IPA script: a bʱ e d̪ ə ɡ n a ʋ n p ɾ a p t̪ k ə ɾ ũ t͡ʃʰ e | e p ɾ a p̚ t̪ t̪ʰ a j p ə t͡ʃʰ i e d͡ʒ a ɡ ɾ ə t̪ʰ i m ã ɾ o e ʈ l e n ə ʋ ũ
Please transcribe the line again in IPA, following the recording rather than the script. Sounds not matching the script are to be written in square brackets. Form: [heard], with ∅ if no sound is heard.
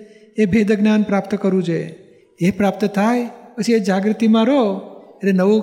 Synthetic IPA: [e] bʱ e d̪ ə ɡ n a [∅] n p ɾ a p t̪ k ə ɾ ũ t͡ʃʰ e | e p ɾ a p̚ t̪ t̪ʰ a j p ə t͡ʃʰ i e d͡ʒ a ɡ ɾ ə [t̪] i m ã ɾ o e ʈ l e n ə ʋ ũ